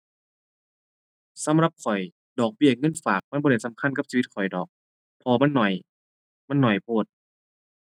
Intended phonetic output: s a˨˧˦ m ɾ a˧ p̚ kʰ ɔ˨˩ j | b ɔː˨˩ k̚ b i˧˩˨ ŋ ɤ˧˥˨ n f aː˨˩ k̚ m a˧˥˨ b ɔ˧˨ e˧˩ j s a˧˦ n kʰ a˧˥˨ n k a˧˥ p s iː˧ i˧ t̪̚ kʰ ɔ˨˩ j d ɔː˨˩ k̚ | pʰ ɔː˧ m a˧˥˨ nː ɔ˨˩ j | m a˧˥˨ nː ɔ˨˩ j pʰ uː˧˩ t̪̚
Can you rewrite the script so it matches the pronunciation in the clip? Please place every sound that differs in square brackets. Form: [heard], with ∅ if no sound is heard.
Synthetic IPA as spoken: s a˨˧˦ m ɾ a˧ p̚ kʰ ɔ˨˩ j | [d] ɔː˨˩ k̚ b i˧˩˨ ŋ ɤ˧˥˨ n f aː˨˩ k̚ m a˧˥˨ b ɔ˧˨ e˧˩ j s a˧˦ [m] kʰ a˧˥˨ n k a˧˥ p s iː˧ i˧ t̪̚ kʰ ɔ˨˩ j d ɔː˨˩ k̚ | pʰ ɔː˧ m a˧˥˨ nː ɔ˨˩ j | m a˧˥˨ nː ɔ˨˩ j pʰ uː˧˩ t̪̚